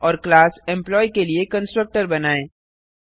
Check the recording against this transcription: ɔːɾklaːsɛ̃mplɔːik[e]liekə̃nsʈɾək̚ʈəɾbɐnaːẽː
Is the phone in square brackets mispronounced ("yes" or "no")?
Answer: no